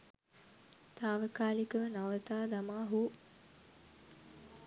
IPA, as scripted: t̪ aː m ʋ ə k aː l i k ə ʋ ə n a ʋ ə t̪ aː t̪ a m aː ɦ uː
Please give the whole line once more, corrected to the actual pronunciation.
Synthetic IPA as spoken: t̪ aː ʋ ə k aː l i k ə ʋ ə n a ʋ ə t̪ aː d̪ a m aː ɦ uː